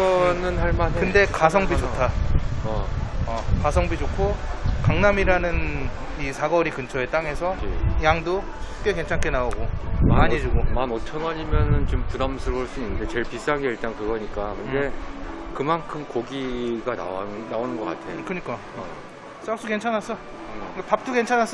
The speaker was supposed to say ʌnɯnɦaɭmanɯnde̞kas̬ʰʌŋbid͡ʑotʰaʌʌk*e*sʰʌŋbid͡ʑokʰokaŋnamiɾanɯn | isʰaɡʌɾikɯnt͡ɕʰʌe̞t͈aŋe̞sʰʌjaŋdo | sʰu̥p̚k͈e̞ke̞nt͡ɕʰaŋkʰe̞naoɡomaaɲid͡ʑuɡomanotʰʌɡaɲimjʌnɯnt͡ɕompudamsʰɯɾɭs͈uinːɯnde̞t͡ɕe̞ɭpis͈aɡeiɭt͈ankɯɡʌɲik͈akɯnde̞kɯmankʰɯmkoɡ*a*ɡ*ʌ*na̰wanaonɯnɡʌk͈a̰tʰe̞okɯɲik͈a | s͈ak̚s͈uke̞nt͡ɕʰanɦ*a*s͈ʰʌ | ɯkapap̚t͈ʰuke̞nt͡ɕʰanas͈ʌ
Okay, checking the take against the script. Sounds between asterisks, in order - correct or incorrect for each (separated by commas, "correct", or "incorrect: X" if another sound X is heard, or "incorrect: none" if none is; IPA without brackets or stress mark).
incorrect: a, incorrect: i, incorrect: a, correct